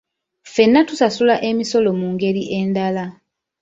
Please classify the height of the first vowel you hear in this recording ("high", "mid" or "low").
mid